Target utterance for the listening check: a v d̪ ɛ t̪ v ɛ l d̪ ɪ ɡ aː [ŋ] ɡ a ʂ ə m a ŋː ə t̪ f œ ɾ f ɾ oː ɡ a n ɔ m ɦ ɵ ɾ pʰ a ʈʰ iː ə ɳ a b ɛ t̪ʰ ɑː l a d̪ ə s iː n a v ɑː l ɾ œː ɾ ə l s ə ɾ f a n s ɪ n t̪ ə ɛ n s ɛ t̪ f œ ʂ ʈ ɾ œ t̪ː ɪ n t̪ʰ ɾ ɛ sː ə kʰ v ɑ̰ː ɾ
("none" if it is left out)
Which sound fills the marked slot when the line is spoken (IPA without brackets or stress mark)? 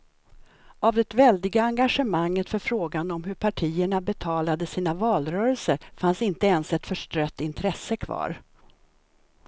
ŋ